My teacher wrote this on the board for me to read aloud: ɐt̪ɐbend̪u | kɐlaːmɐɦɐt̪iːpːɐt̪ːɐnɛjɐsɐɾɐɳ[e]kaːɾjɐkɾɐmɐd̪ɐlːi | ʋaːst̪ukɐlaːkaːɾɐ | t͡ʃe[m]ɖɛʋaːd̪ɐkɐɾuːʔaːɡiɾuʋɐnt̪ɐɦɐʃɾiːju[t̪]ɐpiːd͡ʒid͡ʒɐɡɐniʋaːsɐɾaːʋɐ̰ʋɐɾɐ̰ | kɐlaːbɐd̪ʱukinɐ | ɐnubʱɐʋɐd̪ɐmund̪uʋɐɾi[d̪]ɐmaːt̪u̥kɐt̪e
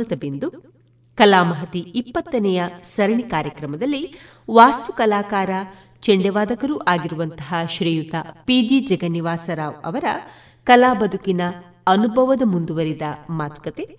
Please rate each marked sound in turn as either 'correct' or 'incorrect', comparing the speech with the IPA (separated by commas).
incorrect, incorrect, correct, correct